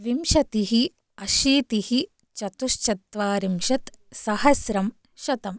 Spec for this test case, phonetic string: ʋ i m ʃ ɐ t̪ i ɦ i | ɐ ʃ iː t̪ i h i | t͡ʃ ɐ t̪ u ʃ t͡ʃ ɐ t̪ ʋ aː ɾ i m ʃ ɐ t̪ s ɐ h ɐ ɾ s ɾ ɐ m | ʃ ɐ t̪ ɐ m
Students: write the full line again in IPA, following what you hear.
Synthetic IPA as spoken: ʋ i m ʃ ɐ t̪ i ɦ i | ɐ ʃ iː t̪ i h i | t͡ʃ ɐ t̪ u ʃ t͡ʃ ɐ t̪ ʋ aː ɾ i m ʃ ɐ t̪ s ɐ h ɐ s ɾ ɐ m | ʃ ɐ t̪ ɐ m